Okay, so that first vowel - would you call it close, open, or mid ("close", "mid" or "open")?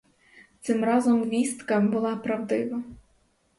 close